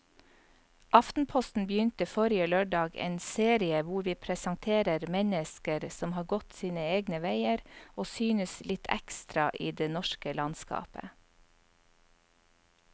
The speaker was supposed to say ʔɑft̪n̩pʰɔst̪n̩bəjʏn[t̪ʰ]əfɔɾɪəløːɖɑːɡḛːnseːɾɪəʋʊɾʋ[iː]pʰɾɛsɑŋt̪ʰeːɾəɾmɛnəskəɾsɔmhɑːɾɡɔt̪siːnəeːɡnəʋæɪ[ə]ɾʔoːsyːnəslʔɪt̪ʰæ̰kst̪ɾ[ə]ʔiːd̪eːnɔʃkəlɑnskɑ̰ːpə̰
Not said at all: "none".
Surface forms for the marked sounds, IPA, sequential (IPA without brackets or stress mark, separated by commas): t̪, iː, ə, ɑ